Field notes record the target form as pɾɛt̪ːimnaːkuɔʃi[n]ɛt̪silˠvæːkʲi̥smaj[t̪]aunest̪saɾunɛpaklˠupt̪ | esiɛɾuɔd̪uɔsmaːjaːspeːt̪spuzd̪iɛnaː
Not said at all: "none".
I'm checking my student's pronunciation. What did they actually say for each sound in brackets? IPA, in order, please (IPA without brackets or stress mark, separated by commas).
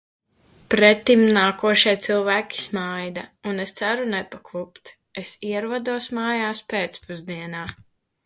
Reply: none, d̪